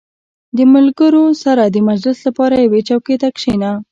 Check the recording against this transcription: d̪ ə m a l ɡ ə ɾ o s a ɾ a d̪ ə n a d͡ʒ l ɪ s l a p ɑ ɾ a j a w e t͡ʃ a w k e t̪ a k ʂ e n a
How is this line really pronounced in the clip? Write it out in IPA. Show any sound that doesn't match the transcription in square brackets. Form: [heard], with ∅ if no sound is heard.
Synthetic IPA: d̪ ə m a l ɡ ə ɾ o s a ɾ a d̪ ə [m] a d͡ʒ l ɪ s l a p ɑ ɾ a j a w e t͡ʃ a w k e t̪ a k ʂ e n a